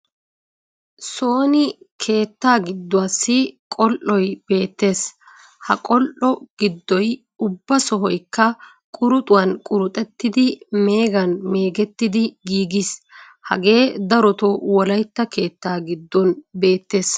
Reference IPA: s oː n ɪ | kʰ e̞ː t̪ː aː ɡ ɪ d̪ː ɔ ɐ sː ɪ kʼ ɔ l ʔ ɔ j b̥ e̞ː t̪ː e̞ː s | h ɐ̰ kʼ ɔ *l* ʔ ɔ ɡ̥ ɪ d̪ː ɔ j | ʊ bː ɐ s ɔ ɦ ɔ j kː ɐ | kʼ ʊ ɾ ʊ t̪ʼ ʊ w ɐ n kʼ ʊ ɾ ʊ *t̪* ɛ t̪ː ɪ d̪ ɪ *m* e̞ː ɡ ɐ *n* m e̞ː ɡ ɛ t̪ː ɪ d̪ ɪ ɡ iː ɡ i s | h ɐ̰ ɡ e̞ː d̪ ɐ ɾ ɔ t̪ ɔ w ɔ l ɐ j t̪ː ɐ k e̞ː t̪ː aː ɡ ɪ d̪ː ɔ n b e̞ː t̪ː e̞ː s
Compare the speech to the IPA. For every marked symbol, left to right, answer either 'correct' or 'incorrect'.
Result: correct, incorrect: t̪ʼ, correct, correct

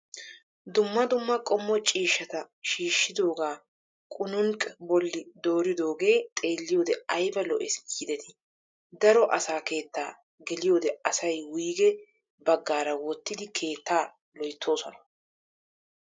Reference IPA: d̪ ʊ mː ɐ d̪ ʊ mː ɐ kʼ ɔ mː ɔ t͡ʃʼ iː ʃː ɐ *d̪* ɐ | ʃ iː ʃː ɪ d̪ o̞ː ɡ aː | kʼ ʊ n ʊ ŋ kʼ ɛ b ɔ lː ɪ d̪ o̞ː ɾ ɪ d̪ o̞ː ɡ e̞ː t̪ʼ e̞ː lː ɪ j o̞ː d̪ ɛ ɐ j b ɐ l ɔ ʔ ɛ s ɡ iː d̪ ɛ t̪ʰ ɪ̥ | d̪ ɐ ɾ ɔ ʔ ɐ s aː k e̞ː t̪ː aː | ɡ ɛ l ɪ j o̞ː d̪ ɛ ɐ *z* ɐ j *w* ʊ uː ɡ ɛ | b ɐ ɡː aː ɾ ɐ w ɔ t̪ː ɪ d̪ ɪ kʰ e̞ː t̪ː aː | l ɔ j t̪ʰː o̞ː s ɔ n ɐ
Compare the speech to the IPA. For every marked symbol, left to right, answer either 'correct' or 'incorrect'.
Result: incorrect: t̪, incorrect: s, correct

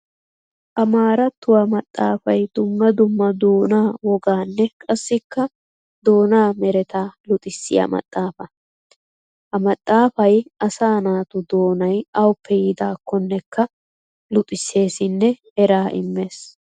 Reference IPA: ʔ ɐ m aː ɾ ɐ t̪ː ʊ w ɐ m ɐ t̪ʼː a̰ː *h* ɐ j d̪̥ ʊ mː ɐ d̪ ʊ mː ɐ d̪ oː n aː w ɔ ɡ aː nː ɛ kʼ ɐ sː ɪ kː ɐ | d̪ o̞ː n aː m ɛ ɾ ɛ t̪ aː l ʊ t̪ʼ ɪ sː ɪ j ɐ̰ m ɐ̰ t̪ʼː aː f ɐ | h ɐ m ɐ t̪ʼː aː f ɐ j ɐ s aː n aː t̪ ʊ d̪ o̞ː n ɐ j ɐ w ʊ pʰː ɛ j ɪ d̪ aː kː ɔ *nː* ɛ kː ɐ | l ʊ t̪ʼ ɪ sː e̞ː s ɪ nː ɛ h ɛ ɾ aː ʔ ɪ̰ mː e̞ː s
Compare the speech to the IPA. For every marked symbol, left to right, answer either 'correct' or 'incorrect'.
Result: incorrect: f, correct

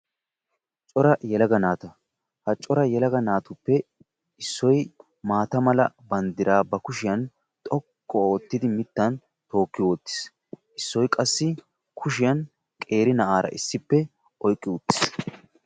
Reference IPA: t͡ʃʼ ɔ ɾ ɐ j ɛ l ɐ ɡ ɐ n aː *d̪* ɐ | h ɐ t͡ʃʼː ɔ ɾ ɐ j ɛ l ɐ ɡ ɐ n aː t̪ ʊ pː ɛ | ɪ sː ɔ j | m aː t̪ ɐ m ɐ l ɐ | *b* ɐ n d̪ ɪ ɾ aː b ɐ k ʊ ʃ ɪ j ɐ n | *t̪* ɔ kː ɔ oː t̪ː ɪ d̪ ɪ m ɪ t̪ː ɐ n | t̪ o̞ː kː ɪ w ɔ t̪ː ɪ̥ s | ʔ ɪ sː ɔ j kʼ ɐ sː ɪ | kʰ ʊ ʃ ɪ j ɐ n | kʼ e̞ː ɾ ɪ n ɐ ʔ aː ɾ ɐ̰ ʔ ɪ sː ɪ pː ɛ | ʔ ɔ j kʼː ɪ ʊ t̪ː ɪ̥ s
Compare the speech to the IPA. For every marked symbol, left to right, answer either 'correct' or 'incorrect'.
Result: incorrect: t̪, correct, incorrect: t̪ʼ

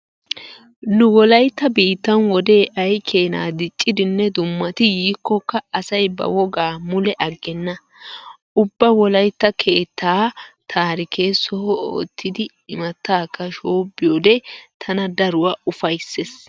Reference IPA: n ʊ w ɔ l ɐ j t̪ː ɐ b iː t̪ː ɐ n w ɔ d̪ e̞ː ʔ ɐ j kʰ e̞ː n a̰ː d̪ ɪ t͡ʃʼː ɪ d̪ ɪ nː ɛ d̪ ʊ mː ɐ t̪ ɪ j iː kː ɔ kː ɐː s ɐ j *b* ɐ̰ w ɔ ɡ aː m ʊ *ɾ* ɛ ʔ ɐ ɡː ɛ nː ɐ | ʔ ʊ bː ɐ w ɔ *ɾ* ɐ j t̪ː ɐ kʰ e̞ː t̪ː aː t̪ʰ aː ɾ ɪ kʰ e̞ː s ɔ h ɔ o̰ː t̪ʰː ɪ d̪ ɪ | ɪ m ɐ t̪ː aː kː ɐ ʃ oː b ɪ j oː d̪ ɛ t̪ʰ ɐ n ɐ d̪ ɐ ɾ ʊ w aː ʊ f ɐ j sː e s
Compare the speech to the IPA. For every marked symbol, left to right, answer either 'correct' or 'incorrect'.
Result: correct, incorrect: l, incorrect: l

